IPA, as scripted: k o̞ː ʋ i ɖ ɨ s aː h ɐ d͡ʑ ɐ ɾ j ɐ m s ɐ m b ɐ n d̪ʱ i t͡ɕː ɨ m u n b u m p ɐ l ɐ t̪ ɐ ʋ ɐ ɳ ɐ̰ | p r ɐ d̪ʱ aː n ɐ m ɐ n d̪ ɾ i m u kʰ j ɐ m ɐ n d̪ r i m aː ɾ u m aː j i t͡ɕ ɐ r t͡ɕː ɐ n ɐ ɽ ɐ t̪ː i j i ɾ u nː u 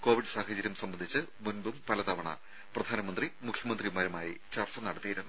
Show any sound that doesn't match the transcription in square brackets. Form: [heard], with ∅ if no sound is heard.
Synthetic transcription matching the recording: k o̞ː ʋ i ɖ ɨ s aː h ɐ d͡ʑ ɐ ɾ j ɐ m s ɐ m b ɐ n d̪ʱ i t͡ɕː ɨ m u n b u m p ɐ l ɐ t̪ ɐ ʋ ɐ ɳ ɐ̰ | p r ɐ d̪ʱ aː n ɐ m ɐ n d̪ [r] i m u kʰ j ɐ m ɐ n d̪ r i m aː ɾ u m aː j i t͡ɕ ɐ r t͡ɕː ɐ n ɐ ɽ ɐ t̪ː i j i ɾ u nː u